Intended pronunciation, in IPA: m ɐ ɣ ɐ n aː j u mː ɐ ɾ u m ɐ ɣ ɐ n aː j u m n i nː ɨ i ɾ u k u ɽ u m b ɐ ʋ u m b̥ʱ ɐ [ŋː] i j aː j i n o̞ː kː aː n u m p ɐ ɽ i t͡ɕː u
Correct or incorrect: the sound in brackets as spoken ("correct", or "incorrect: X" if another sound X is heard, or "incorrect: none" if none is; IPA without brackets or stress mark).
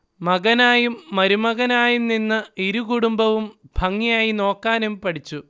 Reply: correct